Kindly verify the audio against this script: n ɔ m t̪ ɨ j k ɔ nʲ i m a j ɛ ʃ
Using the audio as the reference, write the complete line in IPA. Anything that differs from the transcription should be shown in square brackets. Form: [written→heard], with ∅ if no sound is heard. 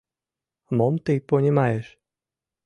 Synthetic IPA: [n→m] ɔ m t̪ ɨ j [k→p] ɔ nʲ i m a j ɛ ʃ